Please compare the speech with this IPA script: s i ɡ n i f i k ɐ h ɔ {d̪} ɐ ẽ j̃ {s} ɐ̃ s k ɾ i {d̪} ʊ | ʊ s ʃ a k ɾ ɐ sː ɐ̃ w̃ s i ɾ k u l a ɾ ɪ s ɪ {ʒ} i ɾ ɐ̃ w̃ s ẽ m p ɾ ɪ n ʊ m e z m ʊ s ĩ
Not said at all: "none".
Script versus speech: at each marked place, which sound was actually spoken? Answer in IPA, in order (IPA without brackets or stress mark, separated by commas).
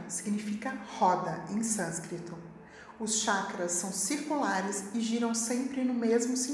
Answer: d̪, s, t̪, ʒ